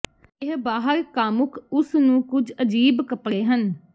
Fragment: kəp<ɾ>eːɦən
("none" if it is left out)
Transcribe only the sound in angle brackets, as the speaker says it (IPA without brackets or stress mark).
ɽ